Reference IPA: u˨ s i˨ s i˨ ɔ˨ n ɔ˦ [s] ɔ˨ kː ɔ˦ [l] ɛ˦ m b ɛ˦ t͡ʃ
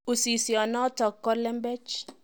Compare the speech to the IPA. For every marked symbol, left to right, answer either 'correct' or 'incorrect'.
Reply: incorrect, correct

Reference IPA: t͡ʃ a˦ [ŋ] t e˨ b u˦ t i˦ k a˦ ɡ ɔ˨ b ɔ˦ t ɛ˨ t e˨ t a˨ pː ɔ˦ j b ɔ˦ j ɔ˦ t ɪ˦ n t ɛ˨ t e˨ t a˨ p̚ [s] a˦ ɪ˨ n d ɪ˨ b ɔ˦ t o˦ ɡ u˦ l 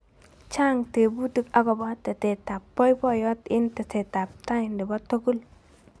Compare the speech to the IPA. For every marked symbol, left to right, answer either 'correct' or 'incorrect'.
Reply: correct, incorrect

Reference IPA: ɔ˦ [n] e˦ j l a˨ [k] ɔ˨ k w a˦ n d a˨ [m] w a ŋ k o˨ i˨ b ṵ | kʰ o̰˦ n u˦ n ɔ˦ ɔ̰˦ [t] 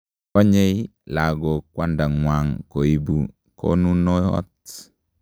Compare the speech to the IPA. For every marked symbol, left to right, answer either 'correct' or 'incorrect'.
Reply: incorrect, incorrect, incorrect, correct

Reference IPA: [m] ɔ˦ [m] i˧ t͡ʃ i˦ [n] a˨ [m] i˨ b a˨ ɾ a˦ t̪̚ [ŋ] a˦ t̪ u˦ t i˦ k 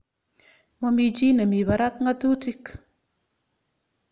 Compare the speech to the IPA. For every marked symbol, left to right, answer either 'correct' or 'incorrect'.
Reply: correct, correct, correct, correct, correct

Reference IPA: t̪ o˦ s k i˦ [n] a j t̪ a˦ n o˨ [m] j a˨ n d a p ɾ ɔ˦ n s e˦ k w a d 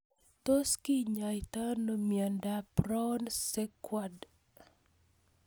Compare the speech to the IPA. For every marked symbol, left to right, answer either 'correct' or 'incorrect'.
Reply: incorrect, correct

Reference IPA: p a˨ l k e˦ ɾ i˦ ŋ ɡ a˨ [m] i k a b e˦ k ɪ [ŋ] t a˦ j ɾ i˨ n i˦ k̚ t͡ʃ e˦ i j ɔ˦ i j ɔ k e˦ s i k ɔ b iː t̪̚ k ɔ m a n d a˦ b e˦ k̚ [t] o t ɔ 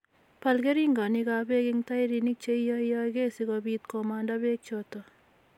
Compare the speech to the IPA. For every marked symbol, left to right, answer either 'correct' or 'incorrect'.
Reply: incorrect, correct, incorrect

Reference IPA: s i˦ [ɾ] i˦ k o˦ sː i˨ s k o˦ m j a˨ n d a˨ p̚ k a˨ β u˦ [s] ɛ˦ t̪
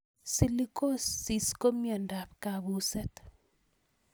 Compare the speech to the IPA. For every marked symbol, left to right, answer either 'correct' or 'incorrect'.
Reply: incorrect, correct

